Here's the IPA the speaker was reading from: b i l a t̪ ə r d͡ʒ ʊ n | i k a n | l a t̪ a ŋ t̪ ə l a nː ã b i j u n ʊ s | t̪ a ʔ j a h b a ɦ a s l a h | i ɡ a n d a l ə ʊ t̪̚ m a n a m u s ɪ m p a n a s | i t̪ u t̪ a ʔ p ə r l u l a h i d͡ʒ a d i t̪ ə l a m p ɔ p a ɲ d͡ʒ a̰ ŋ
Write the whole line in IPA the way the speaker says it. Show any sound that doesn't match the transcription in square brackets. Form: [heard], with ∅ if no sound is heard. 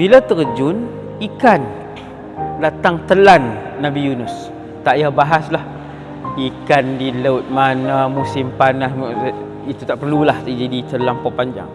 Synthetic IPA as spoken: b i l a t̪ ə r d͡ʒ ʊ n | i k a n | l a t̪ a ŋ t̪ ə l a nː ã b i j u n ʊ s | t̪ a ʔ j a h b a ɦ a s l a h | i [k] a n d [i] l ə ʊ t̪̚ m a n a m u s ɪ m p a n a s | i t̪ u t̪ a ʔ p ə r l u l a h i d͡ʒ a d i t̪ ə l a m p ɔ p a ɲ d͡ʒ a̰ ŋ

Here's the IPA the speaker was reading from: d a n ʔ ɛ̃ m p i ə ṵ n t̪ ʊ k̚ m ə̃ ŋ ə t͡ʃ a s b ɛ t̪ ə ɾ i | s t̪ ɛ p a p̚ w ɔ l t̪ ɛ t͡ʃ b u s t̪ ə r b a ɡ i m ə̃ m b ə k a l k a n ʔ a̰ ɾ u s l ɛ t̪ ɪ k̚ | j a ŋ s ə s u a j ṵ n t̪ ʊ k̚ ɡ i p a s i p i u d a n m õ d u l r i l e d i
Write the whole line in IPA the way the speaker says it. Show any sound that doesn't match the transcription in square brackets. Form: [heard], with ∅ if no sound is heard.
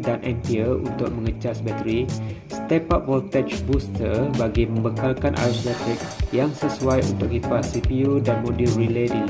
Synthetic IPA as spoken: d a n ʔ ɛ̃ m p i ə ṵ n t̪ ʊ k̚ m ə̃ ŋ ə t͡ʃ a s b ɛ t̪ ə ɾ i | s t̪ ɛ p a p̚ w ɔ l t̪ ɛ t͡ʃ b u s t̪ ə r b a ɡ i m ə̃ m b ə k a l k a n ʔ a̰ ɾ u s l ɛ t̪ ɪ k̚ | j a ŋ s ə s u a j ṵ n t̪ ʊ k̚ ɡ i p a s i p i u d a n m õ d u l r i l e d i

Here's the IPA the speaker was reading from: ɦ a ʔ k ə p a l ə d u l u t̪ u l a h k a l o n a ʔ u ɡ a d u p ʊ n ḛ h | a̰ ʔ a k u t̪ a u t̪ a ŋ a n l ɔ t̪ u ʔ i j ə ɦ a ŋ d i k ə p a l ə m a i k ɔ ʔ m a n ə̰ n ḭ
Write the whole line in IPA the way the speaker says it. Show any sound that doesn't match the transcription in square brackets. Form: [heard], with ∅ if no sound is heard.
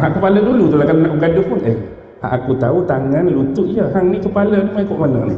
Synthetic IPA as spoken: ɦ a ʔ k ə p a l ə d u l u t̪ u l a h k a l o n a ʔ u ɡ a d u p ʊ n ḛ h | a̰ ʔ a k u t̪ a u t̪ a ŋ a n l [u] t̪ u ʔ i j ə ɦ a ŋ [n] i k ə p a l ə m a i k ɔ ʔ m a n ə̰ n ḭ

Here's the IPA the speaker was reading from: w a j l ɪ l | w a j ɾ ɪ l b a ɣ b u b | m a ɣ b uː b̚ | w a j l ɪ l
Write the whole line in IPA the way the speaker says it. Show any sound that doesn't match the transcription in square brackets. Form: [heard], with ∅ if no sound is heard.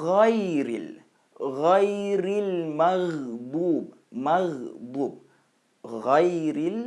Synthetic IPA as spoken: [ɣ] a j [ɾ] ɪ l | [ɣ] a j ɾ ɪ l [m] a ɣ b u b | m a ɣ b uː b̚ | [ɣ] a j [ɾ] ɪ l

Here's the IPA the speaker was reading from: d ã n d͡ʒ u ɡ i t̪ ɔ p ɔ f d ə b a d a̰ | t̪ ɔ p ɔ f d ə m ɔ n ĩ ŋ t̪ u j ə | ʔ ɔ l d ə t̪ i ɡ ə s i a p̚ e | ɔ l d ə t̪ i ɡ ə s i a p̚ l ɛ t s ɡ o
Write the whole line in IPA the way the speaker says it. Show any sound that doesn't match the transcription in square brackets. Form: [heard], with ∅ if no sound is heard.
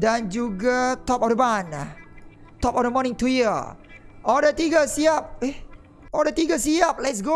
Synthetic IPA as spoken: d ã n d͡ʒ u ɡ [a] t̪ ɔ p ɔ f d ə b a [n] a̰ | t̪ ɔ p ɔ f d ə m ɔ n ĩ ŋ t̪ u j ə | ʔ ɔ l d ə t̪ i ɡ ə s i a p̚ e | ɔ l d ə t̪ i ɡ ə s i a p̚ l ɛ t s ɡ o

